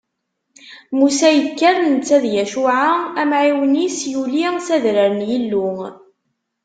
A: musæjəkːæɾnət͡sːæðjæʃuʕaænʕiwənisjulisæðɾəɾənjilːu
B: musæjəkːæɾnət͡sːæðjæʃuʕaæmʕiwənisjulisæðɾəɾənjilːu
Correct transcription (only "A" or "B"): B